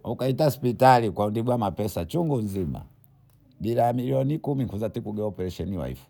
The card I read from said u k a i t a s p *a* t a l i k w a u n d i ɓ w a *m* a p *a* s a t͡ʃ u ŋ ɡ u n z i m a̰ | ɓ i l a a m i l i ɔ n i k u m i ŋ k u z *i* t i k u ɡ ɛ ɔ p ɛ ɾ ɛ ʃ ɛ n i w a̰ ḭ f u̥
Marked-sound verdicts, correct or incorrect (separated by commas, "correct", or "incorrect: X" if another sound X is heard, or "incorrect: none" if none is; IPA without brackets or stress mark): incorrect: i, correct, incorrect: ɛ, incorrect: a